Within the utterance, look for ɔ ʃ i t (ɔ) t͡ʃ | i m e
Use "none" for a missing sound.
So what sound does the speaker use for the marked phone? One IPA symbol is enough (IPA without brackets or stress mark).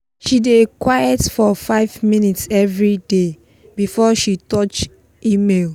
ɔ